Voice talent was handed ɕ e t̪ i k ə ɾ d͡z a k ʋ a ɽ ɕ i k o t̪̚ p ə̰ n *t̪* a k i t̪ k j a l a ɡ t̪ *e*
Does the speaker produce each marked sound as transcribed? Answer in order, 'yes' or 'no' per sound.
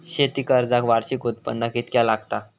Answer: no, no

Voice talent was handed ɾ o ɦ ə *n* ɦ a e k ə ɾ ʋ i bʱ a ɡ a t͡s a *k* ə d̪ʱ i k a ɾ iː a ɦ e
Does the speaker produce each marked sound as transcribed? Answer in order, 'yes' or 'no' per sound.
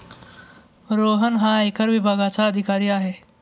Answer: yes, no

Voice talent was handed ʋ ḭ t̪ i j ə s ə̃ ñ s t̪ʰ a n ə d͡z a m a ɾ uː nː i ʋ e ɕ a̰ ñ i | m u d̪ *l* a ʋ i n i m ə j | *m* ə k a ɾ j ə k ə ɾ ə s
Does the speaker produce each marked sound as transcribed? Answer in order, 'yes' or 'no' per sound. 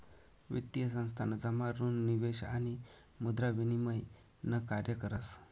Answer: no, no

